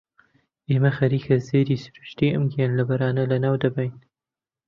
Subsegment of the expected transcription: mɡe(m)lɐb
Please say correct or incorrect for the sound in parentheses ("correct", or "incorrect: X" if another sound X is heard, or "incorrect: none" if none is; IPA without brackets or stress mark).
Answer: incorrect: n